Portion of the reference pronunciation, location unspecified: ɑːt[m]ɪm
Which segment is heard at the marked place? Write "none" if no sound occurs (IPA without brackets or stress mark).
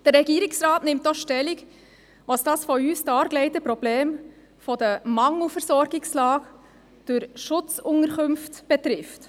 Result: n